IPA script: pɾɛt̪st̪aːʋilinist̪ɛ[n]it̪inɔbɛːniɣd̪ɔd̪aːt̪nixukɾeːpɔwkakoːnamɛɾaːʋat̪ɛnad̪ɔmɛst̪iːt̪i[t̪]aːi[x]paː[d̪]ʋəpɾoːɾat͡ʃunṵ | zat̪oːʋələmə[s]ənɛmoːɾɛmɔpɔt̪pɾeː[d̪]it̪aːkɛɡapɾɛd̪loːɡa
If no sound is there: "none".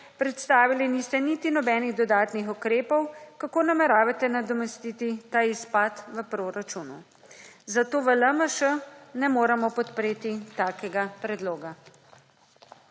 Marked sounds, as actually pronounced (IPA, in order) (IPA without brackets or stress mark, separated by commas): n, t̪, s, t̪, ʃ, t̪